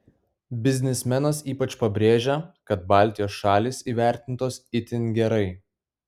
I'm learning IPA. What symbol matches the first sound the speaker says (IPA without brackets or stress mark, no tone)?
bʲ